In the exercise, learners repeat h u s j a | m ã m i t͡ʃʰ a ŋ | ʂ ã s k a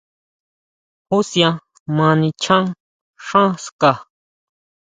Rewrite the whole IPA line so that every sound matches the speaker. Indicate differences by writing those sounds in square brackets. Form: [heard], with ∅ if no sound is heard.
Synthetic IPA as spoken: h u s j a | m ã [n] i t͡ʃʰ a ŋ | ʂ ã s k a